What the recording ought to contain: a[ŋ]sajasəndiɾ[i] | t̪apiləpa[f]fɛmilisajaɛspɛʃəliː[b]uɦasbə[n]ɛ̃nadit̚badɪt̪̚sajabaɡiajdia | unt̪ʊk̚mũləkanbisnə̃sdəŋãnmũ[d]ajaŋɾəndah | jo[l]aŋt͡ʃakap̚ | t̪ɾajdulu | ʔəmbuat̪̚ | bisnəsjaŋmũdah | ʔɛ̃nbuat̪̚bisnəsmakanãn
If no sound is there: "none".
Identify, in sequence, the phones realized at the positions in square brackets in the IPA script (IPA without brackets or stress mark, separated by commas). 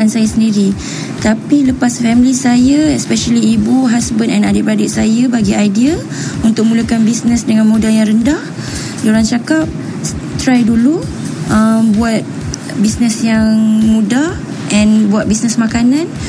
n, i, s, b, n, d, ɾ